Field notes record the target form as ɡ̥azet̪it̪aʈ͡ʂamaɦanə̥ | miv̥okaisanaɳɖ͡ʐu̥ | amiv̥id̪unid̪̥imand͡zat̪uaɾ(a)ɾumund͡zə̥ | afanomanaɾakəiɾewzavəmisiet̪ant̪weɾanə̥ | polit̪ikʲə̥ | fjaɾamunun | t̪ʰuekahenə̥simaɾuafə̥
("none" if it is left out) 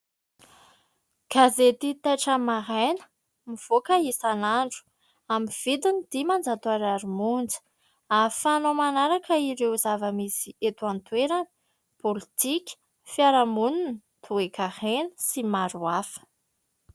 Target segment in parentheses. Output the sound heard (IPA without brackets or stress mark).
a